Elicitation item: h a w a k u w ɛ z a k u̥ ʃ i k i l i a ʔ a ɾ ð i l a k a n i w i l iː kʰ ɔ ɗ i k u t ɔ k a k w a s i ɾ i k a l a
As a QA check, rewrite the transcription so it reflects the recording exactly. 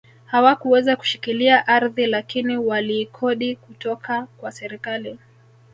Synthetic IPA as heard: h a w a k u w ɛ z a k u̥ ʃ i k i l i a ʔ a ɾ ð i l a k i n i w a l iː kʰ ɔ ɗ i k u t ɔ k a k w a s ɛ ɾ i k a l i